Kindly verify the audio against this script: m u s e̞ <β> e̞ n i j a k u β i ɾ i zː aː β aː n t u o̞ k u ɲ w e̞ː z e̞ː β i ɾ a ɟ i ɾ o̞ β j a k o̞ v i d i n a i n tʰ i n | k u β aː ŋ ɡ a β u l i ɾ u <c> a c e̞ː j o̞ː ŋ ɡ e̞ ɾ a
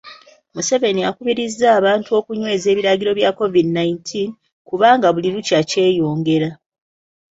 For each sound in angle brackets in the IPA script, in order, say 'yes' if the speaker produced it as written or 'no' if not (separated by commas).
no, yes